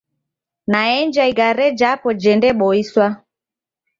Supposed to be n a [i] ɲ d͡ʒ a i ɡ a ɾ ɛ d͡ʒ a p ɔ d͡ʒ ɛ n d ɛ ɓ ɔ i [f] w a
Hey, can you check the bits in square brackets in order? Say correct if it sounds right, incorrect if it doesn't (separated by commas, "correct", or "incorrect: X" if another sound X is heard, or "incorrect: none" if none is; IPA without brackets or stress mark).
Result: incorrect: ɛ, incorrect: s